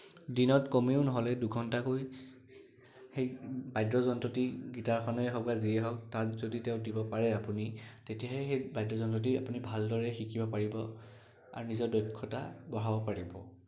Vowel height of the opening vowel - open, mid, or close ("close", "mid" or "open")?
close